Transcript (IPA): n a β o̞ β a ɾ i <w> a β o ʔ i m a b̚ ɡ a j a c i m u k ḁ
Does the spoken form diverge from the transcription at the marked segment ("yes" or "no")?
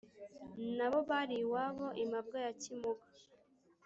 no